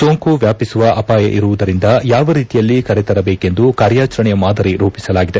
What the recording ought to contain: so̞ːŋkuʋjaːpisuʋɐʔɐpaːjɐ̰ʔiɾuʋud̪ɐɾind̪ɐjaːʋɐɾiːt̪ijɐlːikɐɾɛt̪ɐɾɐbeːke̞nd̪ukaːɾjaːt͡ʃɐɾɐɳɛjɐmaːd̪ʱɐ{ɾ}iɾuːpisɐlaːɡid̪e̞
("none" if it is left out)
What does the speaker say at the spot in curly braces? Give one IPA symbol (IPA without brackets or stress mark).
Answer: ɾ